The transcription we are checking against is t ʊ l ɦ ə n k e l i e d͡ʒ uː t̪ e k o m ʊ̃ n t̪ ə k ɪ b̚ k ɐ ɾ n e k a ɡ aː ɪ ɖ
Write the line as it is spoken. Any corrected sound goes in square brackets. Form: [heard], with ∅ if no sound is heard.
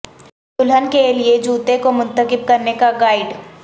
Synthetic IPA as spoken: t ʊ l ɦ ə n k e l i e d͡ʒ uː t̪ e k o m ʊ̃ n t̪ ə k ɪ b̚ k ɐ ɾ n e k a ɡ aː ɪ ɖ